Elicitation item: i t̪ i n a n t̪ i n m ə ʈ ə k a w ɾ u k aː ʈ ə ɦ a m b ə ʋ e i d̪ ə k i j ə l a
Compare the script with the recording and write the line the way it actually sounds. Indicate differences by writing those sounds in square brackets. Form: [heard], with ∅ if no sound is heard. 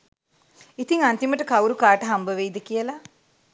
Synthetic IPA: i t̪ i [ŋ] a n t̪ i [∅] m ə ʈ ə k a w ɾ u k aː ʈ ə ɦ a m b ə ʋ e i d̪ ə k i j ə l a